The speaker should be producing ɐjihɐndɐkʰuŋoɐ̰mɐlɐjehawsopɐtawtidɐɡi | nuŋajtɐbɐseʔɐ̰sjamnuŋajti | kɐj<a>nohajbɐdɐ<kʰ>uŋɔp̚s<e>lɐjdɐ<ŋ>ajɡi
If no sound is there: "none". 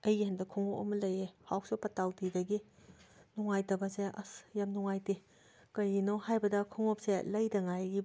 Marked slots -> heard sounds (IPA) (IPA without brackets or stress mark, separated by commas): i, kʰ, e, ŋ